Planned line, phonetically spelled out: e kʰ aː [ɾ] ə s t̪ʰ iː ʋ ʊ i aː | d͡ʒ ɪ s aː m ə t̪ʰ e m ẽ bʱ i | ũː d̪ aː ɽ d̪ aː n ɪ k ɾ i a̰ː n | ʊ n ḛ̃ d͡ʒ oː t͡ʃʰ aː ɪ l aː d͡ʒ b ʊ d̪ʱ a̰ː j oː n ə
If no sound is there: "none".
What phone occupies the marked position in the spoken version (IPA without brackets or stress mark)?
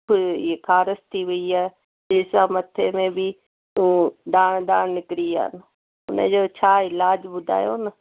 ɾ